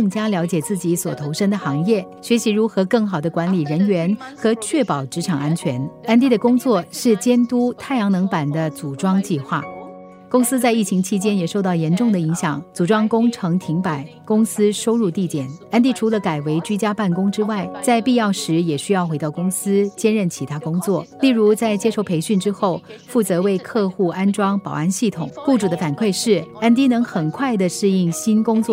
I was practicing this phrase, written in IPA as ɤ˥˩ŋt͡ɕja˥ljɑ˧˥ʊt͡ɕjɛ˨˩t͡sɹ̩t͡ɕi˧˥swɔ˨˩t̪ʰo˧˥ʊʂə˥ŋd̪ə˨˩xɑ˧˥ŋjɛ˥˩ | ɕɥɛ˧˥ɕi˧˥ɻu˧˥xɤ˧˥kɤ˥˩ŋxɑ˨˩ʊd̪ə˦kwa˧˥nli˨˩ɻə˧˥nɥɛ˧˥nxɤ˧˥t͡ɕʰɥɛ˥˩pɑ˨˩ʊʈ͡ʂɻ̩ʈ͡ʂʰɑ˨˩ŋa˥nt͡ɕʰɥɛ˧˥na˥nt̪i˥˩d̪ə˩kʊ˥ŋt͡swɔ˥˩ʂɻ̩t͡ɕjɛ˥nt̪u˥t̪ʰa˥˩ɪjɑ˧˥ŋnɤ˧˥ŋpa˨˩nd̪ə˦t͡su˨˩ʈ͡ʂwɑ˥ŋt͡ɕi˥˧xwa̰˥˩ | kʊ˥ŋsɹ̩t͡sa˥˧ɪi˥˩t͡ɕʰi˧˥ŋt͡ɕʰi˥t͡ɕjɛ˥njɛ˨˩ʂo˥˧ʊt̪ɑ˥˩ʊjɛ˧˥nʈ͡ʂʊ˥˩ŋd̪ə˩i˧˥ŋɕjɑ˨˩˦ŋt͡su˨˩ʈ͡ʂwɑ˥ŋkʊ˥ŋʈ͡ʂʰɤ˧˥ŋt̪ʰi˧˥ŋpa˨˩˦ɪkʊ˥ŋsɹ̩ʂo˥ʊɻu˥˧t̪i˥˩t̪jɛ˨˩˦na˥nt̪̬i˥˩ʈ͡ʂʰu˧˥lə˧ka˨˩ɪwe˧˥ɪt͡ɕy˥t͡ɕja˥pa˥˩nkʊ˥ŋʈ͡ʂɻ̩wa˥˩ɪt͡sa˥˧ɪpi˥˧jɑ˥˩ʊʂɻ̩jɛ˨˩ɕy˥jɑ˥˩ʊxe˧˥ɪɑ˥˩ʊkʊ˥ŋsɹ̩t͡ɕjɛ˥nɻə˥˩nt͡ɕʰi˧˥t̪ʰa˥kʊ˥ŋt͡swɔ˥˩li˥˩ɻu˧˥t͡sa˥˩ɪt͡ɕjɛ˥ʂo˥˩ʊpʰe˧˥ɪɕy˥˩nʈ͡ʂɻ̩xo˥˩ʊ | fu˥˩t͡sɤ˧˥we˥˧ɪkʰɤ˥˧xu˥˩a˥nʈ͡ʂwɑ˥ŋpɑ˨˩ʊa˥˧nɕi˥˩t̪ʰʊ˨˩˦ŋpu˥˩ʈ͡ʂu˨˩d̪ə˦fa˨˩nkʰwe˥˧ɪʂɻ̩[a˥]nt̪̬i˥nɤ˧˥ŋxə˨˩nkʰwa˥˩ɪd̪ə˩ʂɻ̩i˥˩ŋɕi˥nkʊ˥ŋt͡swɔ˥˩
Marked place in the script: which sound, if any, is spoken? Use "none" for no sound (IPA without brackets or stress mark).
a˥